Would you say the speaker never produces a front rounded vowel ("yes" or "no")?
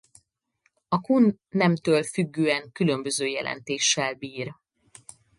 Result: no